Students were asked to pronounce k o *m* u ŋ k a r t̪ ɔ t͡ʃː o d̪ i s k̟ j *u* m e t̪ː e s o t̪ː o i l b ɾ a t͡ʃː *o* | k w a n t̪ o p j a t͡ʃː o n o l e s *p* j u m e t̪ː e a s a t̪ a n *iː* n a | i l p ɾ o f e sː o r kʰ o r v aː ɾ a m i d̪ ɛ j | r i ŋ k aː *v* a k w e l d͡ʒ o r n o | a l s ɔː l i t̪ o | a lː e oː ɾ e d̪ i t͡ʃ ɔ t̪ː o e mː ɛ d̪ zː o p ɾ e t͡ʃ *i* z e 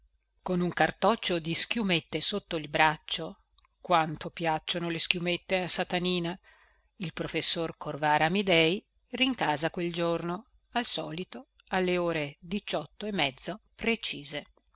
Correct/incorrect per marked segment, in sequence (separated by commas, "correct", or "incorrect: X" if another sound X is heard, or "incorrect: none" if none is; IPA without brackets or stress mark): incorrect: n, correct, correct, incorrect: k, correct, incorrect: z, incorrect: iː